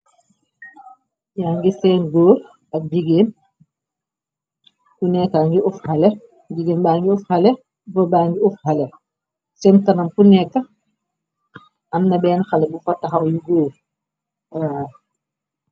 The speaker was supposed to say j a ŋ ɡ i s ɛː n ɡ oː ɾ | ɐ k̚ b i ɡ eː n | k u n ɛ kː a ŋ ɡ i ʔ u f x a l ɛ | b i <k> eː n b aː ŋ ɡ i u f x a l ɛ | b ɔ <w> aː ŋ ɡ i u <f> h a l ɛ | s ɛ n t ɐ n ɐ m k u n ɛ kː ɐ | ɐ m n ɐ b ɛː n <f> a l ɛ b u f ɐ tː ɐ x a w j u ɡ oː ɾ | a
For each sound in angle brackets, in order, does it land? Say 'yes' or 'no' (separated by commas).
no, no, yes, no